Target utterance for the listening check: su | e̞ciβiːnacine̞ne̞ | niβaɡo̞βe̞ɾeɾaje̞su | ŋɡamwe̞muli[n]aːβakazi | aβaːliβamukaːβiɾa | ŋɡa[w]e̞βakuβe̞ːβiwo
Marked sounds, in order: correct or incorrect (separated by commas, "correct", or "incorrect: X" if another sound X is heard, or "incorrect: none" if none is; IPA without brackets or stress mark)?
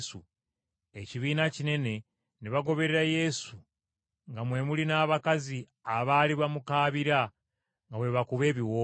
correct, correct